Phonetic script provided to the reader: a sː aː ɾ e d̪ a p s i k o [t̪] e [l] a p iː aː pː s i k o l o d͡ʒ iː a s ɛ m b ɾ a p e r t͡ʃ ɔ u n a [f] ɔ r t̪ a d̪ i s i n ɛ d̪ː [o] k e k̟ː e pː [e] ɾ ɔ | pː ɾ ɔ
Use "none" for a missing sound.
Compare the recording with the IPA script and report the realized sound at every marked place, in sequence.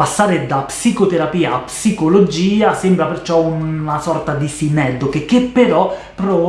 t̪, ɾ, s, o, e

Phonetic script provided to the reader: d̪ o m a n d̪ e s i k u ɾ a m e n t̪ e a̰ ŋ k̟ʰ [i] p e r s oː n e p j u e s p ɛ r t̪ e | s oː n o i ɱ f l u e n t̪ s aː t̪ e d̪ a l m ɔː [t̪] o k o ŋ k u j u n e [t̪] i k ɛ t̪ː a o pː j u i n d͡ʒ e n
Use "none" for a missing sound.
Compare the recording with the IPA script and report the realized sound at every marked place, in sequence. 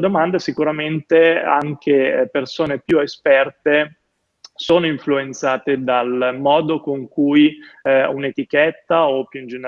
e, d̪, t̪

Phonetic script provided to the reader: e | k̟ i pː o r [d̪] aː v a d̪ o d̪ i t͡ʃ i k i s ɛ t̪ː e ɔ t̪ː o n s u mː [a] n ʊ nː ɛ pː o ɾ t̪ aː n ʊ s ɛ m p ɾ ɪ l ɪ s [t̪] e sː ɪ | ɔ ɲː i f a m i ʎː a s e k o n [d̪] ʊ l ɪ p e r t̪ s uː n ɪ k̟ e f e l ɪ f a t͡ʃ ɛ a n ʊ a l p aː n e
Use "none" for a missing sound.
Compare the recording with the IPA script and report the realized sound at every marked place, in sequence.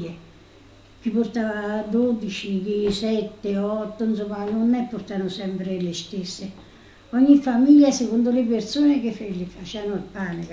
t̪, a, t̪, d̪

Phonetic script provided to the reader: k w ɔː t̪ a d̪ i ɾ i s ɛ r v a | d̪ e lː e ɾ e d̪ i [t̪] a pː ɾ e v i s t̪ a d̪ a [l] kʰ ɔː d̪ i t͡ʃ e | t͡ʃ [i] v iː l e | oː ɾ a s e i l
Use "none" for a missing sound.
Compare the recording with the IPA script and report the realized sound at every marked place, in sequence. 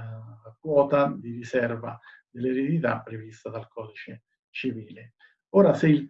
t̪, l, i

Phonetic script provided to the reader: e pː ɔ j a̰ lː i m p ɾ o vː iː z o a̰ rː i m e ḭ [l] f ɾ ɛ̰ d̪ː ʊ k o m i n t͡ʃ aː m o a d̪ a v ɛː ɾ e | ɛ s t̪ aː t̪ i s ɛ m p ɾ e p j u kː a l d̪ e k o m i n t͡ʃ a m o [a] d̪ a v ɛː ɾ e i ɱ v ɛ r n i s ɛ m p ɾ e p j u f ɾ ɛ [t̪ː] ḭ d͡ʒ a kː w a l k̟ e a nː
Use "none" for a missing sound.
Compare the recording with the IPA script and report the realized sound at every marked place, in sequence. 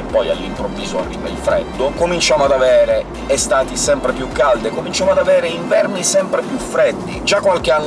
l, a, d̪ː

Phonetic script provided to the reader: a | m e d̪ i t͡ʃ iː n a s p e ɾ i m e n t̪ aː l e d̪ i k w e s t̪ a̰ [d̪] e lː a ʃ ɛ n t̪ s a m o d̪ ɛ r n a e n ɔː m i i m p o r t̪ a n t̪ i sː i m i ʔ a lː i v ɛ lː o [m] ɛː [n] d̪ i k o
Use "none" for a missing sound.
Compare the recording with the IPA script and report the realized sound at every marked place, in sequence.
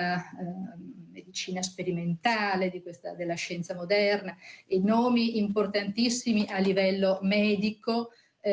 d̪, m, none

